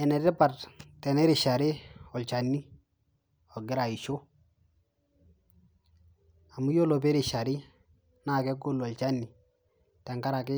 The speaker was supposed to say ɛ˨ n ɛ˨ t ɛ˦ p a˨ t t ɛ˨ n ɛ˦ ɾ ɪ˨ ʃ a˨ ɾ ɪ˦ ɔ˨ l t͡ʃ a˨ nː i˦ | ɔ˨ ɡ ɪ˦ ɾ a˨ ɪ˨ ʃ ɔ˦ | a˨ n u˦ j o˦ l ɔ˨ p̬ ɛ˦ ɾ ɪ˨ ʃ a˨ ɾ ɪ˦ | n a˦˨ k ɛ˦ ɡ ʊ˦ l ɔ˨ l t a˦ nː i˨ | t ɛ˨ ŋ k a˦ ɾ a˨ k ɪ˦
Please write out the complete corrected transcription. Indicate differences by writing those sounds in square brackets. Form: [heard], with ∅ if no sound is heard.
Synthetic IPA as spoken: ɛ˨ n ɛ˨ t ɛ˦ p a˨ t t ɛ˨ n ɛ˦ ɾ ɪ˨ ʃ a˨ ɾ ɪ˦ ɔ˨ l t͡ʃ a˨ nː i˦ | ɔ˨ ɡ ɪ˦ ɾ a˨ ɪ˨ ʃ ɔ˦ | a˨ [m] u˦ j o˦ l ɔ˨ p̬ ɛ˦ ɾ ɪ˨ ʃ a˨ ɾ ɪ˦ | n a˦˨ k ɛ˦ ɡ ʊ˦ l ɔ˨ l [t͡ʃ] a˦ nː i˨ | t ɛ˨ ŋ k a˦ ɾ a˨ k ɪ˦